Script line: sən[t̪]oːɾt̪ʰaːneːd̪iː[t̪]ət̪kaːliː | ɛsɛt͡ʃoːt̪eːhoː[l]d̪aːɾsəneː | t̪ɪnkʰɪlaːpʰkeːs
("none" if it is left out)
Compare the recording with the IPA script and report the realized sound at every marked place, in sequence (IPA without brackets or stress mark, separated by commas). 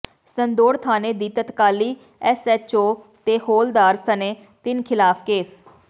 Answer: d̪, t̪, l